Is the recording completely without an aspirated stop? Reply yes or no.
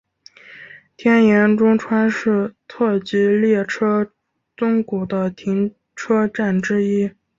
no